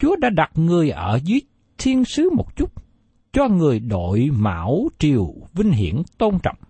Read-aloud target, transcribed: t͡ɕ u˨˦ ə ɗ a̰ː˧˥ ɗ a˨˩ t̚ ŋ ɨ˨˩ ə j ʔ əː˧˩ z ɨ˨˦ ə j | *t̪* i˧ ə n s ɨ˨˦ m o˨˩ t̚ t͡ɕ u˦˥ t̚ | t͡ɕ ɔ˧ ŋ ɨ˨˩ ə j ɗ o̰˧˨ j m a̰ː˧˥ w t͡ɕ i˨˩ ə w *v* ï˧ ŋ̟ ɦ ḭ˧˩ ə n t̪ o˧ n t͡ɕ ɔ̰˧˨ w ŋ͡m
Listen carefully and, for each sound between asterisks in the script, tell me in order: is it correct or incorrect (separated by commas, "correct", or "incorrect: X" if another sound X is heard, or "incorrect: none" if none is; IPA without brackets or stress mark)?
incorrect: t̪ʰ, correct